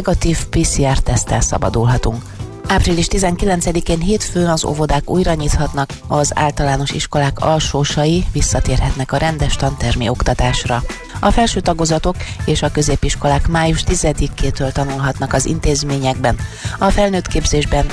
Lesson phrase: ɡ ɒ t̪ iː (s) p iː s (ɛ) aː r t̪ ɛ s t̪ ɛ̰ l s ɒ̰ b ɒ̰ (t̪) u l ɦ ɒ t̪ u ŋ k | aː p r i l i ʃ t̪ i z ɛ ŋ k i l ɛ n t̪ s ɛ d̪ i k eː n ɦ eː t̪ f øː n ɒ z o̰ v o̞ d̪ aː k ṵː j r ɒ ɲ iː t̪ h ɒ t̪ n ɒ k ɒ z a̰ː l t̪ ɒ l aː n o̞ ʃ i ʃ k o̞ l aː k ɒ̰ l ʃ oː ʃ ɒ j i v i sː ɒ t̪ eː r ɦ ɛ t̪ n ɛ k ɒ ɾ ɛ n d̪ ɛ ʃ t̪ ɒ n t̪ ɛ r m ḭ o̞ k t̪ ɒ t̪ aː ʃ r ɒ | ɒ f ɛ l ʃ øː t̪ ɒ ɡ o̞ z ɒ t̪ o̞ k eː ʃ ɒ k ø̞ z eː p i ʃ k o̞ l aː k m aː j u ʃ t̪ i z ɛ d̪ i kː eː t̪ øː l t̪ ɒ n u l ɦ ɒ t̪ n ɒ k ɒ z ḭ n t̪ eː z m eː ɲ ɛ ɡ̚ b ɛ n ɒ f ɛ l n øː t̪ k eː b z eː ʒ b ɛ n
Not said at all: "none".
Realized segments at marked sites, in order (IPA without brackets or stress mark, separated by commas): f, i, d̪